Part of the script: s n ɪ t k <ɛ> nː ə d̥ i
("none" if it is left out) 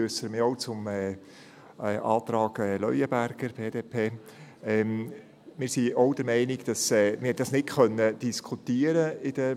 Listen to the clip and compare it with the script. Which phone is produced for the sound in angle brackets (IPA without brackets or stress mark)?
œ